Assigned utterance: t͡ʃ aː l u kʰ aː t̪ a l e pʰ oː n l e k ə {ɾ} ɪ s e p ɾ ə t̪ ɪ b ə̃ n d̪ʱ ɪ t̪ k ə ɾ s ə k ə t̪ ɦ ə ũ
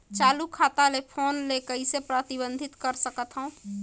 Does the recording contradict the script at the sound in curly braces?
yes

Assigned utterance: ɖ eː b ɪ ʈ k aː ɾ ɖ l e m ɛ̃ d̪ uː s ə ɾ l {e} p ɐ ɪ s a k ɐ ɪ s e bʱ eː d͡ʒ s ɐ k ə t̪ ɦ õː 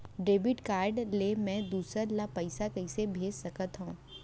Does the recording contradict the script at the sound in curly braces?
yes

